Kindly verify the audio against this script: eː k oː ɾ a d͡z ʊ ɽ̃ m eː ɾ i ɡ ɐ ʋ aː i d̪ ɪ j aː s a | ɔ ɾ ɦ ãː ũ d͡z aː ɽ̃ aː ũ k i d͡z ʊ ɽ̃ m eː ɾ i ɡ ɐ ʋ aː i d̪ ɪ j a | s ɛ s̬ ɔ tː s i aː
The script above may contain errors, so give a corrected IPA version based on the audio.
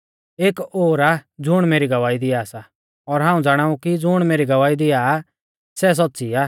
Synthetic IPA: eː k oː ɾ a d͡z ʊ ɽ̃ m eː ɾ i ɡ ɐ ʋ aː i d̪ ɪ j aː s a | ɔ ɾ ɦ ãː ũ d͡z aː ɽ̃ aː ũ k i d͡z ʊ ɽ̃ m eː ɾ i ɡ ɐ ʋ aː i d̪ ɪ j a | s ɛ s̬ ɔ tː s i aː

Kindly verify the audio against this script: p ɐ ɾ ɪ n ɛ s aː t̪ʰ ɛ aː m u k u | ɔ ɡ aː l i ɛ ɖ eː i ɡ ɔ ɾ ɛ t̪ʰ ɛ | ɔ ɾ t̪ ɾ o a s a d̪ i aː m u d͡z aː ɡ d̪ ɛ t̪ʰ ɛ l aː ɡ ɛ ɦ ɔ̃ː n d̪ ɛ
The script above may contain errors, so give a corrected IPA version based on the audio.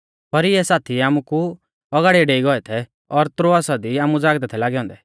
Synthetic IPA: p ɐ ɾ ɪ ɛ s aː t̪ʰ i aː m u k u | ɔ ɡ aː ɽ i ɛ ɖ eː i ɡ ɔ ɛ t̪ʰ ɛ | ɔ ɾ t̪ ɾ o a s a d̪ i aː m u d͡z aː ɡ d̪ ɛ t̪ʰ ɛ l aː ɡ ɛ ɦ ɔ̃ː n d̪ ɛ

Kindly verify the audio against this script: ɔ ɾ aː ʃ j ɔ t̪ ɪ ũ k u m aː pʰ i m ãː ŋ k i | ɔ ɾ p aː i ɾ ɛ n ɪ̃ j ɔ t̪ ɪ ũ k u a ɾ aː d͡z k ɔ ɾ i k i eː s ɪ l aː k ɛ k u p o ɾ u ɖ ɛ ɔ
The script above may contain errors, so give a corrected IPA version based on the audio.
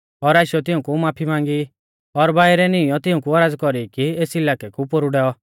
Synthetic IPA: ɔ ɾ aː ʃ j ɔ t̪ ɪ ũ k u m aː pʰ i m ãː ŋ ɡ i | ɔ ɾ b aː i ɾ ɛ n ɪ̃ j ɔ t̪ ɪ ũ k u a ɾ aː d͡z k ɔ ɾ i k i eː s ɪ l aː k ɛ k u p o ɾ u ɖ ɛ ɔ

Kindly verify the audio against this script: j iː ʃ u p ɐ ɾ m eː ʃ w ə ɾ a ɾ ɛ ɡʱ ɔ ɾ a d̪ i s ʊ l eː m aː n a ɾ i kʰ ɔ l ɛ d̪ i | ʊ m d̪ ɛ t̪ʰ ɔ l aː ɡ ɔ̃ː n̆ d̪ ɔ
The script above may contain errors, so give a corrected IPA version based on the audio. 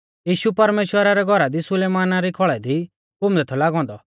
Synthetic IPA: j iː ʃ u p ɐ ɾ m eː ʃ w ə ɾ a ɾ ɛ ɡʱ ɔ ɾ a d̪ i s ʊ l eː m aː n a ɾ i kʰ ɔ ɭ ɛ d̪ i | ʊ m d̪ ɛ t̪ʰ ɔ l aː ɡ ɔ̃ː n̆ d̪ ɔ

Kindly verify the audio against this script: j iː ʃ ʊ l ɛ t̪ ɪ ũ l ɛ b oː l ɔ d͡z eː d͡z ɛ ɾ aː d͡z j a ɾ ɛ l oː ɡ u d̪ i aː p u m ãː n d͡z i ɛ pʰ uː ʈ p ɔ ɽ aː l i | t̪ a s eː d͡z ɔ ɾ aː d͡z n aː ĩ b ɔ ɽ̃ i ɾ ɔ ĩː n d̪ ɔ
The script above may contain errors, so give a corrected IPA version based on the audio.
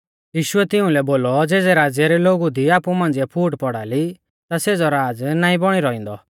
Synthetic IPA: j iː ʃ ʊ ɛ t̪ ɪ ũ l ɛ b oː l ɔ d͡z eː d͡z ɛ ɾ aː d͡z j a ɾ ɛ l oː ɡ u d̪ i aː p u m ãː n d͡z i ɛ pʰ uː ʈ p ɔ ɽ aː l i | t̪ a s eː d͡z ɔ ɾ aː d͡z n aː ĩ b ɔ ɽ̃ i ɾ ɔ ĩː n d̪ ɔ

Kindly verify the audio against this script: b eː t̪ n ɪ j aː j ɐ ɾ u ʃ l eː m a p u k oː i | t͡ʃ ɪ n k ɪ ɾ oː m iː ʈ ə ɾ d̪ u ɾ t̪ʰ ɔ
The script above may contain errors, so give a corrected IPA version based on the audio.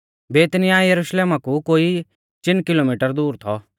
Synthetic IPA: b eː t̪ n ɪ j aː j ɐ ɾ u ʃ l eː m a k u k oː i | t͡ʃ ɪ n k ɪ l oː m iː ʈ ə ɾ d̪ uː ɾ t̪ʰ ɔ

